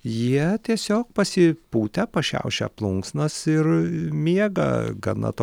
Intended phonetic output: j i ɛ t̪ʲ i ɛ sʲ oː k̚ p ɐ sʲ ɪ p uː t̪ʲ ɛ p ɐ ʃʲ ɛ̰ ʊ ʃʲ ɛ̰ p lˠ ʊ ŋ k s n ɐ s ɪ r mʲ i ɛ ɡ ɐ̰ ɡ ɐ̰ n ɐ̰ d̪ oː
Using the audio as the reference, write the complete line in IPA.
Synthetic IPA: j i ɛ t̪ʲ i ɛ sʲ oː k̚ p ɐ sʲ ɪ p uː t̪ʲ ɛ p ɐ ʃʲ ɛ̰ ʊ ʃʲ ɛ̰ p lˠ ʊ ŋ k s n ɐ s ɪ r mʲ i ɛ ɡ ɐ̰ ɡ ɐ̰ n ɐ̰ t̪ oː